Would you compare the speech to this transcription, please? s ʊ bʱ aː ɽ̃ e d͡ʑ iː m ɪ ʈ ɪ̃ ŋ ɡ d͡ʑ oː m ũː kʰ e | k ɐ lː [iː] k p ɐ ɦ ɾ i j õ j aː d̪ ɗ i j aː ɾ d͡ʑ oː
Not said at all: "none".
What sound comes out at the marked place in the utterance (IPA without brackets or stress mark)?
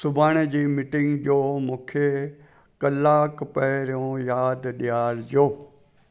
aː